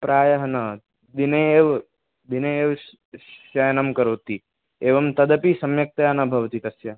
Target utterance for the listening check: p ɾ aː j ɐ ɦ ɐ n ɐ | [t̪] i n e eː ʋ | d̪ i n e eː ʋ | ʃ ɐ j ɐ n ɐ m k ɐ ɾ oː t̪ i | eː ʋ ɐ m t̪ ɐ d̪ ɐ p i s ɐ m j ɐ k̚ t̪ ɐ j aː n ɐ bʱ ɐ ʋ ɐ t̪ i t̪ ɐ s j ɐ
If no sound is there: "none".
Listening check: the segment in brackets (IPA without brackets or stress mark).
d̪